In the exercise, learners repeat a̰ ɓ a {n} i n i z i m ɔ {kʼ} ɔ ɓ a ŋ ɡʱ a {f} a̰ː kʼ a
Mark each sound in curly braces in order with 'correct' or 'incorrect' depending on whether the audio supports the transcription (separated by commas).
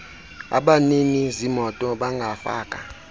correct, incorrect, correct